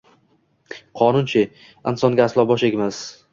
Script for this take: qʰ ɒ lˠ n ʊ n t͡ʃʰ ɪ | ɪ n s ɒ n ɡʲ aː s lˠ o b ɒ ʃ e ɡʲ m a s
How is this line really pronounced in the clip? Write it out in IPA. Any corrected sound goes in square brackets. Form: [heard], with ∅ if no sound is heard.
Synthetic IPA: qʰ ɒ [∅] n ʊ n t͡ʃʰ ɪ | ɪ n s ɒ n ɡʲ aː s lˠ [ɒ] b ɒ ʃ e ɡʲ m a s